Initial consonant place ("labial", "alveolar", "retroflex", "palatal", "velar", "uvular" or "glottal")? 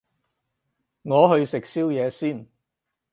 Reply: velar